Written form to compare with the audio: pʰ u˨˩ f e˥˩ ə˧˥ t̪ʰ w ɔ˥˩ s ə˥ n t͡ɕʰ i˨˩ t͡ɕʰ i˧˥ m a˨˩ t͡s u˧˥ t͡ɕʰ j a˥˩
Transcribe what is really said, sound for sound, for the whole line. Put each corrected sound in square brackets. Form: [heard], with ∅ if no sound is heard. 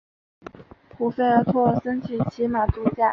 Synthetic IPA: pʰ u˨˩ f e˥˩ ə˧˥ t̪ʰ w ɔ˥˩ s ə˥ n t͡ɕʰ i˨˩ t͡ɕʰ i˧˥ m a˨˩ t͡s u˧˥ [t͡ɕ] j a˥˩

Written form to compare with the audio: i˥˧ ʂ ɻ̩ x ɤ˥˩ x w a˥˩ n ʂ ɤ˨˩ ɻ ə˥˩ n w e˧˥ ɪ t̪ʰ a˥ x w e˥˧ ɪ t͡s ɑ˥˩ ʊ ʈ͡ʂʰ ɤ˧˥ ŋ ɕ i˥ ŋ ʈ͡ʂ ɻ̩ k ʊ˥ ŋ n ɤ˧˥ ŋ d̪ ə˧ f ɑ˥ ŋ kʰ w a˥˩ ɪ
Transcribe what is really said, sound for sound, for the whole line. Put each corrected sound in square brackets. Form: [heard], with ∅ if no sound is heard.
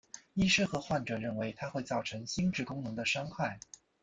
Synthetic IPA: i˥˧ ʂ ɻ̩ x [ɤ˧˥] x w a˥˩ n [ʈ͡ʂ] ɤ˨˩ ɻ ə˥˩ n w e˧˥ ɪ t̪ʰ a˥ x w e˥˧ ɪ t͡s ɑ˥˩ ʊ ʈ͡ʂʰ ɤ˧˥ ŋ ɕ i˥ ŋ ʈ͡ʂ ɻ̩ k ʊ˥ ŋ n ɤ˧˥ ŋ d̪ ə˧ [ʂ] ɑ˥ ŋ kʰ w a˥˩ ɪ

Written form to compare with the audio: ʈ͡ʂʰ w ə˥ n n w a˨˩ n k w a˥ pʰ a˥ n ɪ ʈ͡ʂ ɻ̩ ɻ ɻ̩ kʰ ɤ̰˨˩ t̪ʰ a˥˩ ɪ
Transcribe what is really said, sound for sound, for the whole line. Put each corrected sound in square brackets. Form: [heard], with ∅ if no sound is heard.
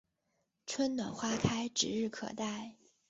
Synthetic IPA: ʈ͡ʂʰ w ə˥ n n w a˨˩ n [x] w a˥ [kʰ] a˥ [∅] ɪ ʈ͡ʂ ɻ̩ ɻ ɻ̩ kʰ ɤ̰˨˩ [t̪] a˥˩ ɪ

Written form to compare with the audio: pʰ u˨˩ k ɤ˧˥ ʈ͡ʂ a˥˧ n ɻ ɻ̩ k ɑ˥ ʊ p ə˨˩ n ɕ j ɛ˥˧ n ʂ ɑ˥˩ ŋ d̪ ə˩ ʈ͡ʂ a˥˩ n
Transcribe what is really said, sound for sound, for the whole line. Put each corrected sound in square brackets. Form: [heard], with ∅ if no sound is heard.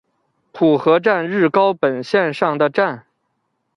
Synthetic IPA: pʰ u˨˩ [x] ɤ˧˥ ʈ͡ʂ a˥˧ n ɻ ɻ̩ k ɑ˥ ʊ p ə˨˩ n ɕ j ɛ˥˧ n ʂ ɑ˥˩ ŋ d̪ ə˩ ʈ͡ʂ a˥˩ n

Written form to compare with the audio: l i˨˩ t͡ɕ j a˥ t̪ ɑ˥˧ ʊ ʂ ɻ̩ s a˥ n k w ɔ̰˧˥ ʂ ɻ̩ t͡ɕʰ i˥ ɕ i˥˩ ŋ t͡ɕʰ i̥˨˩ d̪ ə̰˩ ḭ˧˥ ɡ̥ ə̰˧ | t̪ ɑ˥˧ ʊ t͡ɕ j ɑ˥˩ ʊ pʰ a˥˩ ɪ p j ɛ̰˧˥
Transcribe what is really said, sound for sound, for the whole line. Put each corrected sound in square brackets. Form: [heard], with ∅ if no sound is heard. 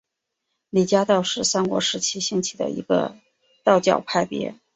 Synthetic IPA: l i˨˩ t͡ɕ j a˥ t̪ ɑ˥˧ ʊ ʂ ɻ̩ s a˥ n k w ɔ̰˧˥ ʂ ɻ̩ t͡ɕʰ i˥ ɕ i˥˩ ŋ t͡ɕʰ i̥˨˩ d̪ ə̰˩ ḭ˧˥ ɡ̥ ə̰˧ | t̪ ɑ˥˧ ʊ t͡ɕ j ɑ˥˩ ʊ pʰ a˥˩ ɪ p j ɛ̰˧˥

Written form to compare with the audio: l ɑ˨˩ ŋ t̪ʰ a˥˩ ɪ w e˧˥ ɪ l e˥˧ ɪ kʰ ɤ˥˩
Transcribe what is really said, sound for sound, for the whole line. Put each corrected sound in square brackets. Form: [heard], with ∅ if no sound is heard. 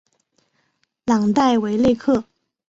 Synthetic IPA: l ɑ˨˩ ŋ [t̪] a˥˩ ɪ w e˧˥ ɪ l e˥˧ ɪ kʰ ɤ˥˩

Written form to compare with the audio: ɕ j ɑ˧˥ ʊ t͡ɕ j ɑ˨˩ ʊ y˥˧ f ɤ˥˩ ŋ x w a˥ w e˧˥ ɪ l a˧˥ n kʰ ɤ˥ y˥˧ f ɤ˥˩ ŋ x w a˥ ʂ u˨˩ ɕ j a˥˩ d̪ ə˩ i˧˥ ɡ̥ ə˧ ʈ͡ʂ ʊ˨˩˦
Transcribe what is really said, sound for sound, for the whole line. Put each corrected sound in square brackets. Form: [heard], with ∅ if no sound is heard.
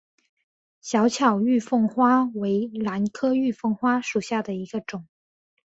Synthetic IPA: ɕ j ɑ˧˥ ʊ [t͡ɕʰ] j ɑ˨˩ ʊ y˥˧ f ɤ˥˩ ŋ x w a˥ w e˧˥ ɪ l a˧˥ n kʰ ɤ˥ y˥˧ f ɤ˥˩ ŋ x w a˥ ʂ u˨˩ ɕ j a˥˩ d̪ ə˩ i˧˥ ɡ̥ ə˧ ʈ͡ʂ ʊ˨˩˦

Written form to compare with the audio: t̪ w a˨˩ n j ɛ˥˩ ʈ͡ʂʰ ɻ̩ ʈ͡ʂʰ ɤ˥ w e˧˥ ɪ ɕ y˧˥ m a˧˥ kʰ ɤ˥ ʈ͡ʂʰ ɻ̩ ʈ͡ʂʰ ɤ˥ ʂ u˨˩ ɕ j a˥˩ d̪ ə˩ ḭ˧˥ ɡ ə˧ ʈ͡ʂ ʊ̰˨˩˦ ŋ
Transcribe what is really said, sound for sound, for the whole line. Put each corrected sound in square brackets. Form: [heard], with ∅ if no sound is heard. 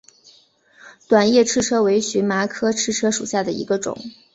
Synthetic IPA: t̪ w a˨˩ n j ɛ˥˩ ʈ͡ʂʰ ɻ̩ ʈ͡ʂʰ ɤ˥ w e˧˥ ɪ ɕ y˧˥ m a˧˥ kʰ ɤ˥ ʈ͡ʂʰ ɻ̩ ʈ͡ʂʰ ɤ˥ ʂ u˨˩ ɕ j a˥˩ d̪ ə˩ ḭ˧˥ ɡ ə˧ ʈ͡ʂ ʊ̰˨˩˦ ŋ

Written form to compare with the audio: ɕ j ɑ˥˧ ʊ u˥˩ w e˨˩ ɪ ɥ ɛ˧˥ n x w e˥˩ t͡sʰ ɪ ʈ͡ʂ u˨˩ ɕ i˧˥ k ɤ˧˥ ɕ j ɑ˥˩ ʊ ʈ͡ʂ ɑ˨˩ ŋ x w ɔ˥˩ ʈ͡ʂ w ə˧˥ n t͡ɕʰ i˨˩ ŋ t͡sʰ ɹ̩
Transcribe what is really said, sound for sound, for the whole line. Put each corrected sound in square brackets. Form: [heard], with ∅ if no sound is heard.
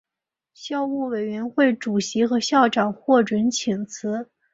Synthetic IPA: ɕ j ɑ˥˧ ʊ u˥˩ w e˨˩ ɪ ɥ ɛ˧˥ n x w e˥˩ [∅] ɪ ʈ͡ʂ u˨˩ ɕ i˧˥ [x] ɤ˧˥ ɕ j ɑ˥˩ ʊ ʈ͡ʂ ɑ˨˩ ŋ x w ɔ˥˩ ʈ͡ʂ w ə˧˥ n t͡ɕʰ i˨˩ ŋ t͡sʰ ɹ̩

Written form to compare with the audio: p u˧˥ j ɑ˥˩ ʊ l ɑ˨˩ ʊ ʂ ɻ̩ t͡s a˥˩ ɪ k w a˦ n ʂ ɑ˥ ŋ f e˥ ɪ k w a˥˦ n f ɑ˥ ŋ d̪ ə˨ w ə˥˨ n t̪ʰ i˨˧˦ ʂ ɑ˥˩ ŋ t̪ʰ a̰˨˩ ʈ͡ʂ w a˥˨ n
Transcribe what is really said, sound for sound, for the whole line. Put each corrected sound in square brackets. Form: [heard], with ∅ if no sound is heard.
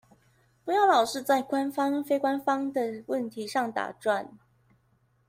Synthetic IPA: p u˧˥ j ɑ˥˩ ʊ l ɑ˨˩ ʊ ʂ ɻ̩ t͡s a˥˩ ɪ k w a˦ n [f] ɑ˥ ŋ f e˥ ɪ k w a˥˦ n f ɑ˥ ŋ d̪ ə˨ w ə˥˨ n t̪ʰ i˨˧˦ ʂ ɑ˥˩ ŋ [t̪] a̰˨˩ ʈ͡ʂ w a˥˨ n

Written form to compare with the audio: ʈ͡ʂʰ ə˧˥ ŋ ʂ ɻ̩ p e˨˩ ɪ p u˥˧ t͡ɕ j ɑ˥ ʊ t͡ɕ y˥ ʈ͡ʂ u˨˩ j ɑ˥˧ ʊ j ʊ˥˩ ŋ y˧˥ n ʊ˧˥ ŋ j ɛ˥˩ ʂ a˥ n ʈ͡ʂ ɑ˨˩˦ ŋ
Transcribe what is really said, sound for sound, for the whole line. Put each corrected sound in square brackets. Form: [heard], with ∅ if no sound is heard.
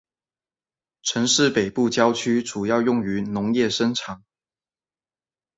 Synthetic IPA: ʈ͡ʂʰ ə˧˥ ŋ ʂ ɻ̩ p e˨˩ ɪ p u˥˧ t͡ɕ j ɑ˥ ʊ [t͡ɕʰ] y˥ ʈ͡ʂ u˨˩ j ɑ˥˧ ʊ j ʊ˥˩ ŋ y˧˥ n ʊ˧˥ ŋ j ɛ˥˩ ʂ [ə˥] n [ʈ͡ʂʰ] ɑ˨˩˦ ŋ

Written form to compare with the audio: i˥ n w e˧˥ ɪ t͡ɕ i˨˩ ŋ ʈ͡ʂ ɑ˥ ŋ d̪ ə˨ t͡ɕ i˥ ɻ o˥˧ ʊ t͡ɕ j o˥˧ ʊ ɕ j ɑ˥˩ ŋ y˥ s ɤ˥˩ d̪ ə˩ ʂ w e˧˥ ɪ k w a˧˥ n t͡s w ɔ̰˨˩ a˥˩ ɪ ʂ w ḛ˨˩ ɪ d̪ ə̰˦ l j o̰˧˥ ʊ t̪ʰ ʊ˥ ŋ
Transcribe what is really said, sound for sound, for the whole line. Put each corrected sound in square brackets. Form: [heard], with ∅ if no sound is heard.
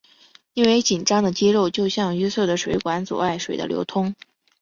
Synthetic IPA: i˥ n w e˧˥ ɪ t͡ɕ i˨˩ [n] ʈ͡ʂ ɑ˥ ŋ d̪ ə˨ t͡ɕ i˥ ɻ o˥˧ ʊ t͡ɕ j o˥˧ ʊ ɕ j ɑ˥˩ ŋ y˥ s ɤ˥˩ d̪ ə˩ ʂ w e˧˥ ɪ k w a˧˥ n t͡s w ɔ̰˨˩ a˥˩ ɪ ʂ w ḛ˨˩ ɪ d̪ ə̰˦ l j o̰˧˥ ʊ t̪ʰ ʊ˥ ŋ

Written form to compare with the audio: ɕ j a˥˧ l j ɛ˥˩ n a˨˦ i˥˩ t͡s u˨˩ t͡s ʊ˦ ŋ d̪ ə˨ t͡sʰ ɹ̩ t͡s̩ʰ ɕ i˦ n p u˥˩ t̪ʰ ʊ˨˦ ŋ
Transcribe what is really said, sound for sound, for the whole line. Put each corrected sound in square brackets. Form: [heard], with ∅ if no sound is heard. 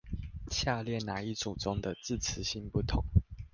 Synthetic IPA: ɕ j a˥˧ l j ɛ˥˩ n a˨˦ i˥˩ t͡s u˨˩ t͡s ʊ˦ ŋ d̪ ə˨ [t͡s] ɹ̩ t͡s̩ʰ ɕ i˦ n p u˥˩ t̪ʰ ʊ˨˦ ŋ

